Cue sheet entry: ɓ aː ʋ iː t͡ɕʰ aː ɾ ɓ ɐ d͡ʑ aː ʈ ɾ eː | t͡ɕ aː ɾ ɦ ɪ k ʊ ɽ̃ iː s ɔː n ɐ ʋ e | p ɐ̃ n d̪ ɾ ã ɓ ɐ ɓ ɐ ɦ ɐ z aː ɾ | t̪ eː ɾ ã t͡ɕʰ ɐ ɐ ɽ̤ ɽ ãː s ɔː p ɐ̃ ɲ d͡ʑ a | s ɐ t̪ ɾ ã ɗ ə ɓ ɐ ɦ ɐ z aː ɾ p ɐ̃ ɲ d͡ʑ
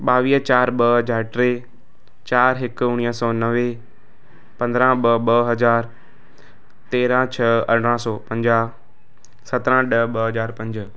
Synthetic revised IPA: ɓ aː ʋ iː t͡ɕ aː ɾ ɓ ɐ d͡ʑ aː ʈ ɾ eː | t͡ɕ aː ɾ ɦ ɪ k ʊ ɽ̃ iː s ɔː n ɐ ʋ e | p ɐ̃ n d̪ ɾ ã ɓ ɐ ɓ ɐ ɦ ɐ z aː ɾ | t̪ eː ɾ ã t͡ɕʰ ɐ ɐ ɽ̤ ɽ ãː s ɔː p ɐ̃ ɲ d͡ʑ a | s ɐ t̪ ɾ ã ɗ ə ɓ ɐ ɦ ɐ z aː ɾ p ɐ̃ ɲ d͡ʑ